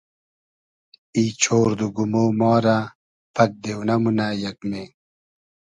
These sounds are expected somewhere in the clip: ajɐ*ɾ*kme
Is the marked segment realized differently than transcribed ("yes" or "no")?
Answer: yes